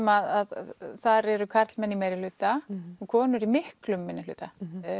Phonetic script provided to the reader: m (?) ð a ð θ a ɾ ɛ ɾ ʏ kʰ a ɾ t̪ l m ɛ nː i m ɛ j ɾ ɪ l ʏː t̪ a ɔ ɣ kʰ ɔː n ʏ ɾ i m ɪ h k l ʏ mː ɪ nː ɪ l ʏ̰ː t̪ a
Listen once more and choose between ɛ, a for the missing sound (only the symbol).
a